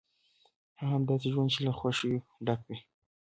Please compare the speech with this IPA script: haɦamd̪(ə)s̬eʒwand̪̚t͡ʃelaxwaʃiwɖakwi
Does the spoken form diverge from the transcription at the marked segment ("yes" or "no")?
yes